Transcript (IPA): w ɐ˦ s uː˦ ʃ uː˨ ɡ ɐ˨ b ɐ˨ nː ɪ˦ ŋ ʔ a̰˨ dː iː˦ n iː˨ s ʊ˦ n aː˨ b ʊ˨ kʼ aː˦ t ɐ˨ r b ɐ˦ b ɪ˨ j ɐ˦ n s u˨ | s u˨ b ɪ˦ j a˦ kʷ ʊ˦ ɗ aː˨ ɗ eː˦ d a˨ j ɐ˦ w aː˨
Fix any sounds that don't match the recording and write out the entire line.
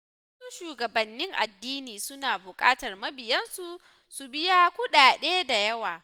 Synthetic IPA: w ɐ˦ s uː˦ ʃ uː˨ ɡ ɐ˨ b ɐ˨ nː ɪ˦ ŋ ʔ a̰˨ dː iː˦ n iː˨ s ʊ˦ n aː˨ b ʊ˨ kʼ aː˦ t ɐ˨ r m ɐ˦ b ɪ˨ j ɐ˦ n s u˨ | s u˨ b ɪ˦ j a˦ kʷ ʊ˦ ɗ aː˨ ɗ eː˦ d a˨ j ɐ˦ w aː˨